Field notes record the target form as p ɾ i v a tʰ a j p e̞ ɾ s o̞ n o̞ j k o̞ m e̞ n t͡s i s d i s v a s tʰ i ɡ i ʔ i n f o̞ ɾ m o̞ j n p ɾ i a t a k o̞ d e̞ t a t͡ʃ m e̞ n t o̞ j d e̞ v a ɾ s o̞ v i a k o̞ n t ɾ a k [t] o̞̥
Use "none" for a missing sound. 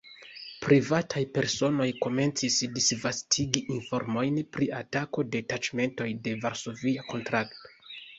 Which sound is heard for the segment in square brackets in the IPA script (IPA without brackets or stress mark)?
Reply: t